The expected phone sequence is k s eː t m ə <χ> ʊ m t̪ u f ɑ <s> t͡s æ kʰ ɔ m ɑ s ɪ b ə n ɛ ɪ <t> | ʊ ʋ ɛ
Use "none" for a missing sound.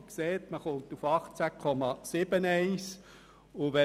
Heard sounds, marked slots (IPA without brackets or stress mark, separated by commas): χ, χ, s